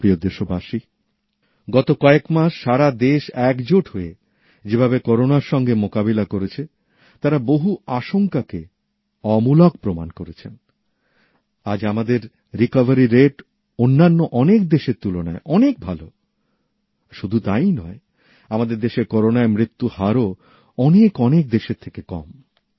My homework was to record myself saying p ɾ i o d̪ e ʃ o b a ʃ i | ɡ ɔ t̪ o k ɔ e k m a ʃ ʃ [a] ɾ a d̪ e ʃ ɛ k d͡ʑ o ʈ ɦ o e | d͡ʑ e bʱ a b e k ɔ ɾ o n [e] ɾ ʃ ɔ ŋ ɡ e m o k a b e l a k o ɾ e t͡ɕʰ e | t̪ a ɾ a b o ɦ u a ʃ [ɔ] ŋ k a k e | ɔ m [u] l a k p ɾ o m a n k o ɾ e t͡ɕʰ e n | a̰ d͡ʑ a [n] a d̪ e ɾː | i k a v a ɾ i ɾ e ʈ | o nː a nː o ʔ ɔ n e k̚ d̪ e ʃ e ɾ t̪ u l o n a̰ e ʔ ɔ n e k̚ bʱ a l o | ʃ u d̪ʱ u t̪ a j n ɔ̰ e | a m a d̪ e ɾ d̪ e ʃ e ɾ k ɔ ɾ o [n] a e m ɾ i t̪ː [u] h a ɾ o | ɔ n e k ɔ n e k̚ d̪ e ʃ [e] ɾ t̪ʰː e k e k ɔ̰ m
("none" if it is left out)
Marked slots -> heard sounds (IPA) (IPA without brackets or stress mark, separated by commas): a, a, o, u, m, n, u, e